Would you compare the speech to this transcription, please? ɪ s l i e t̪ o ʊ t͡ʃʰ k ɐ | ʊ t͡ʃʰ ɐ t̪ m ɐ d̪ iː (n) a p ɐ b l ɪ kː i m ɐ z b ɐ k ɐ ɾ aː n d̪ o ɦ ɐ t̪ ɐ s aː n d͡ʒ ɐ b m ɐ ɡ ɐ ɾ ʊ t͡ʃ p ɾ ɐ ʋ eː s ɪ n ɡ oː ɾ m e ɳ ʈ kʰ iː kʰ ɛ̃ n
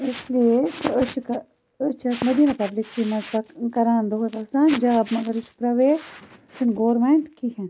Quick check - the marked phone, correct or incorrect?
correct